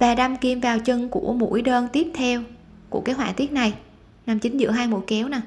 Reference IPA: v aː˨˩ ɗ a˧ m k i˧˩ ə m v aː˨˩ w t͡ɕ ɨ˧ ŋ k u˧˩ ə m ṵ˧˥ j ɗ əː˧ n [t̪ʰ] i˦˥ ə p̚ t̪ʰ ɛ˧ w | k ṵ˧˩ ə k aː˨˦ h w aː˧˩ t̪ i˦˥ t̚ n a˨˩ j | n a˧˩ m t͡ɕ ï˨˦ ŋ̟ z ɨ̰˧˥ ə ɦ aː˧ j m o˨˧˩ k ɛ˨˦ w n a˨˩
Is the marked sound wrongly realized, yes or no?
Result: yes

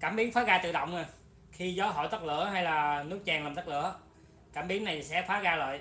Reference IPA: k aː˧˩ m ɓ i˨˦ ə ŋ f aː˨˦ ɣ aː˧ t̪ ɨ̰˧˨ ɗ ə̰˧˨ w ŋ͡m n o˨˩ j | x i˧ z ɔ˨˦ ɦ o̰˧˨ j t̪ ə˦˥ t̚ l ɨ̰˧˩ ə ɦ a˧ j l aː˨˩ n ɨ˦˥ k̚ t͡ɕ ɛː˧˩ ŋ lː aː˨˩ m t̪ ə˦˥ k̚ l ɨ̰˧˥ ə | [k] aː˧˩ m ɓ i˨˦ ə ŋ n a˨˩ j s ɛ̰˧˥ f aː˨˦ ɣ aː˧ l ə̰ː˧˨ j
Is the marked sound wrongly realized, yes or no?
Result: no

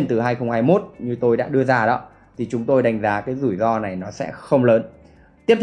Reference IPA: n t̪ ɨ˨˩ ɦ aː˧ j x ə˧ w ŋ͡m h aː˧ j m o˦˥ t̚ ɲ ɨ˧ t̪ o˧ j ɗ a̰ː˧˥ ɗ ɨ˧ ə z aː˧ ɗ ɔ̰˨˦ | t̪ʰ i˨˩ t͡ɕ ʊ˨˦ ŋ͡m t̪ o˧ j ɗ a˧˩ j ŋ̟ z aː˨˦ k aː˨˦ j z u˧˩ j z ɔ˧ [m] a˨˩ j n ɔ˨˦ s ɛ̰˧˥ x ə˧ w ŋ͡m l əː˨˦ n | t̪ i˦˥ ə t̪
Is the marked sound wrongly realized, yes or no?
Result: yes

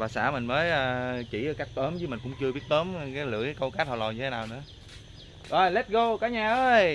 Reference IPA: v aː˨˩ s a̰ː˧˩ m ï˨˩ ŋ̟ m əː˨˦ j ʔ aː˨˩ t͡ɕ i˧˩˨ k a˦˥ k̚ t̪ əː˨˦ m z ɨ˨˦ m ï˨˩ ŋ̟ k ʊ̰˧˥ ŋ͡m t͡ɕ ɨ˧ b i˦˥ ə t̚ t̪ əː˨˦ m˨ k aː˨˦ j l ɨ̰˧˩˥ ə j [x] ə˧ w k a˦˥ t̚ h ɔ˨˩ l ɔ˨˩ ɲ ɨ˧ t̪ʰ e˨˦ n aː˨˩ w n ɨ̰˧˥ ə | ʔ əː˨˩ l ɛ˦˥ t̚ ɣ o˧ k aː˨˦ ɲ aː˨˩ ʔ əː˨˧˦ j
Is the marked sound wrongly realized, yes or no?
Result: yes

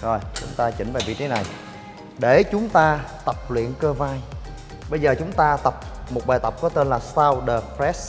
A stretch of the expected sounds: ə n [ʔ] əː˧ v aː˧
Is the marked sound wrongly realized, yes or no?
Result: yes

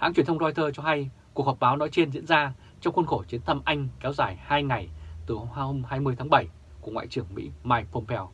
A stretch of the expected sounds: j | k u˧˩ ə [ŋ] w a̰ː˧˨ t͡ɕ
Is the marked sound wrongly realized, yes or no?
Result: no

